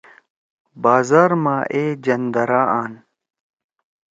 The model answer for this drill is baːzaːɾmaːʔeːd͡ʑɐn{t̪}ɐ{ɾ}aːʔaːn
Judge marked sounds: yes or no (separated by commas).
no, yes